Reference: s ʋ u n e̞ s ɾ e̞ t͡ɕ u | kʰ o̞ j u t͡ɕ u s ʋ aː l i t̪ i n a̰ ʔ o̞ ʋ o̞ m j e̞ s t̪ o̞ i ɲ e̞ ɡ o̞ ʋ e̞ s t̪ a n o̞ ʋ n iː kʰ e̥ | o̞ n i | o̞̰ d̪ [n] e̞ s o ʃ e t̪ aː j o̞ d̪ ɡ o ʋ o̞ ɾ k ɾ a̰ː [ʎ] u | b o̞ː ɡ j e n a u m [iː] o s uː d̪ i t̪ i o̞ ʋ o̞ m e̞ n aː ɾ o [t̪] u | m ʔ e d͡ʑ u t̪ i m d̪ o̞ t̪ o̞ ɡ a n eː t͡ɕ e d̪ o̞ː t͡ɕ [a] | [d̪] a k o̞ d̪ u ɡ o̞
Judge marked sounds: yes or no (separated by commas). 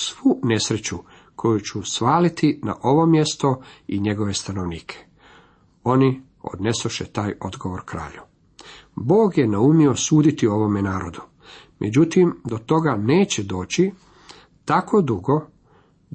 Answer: yes, yes, no, no, no, no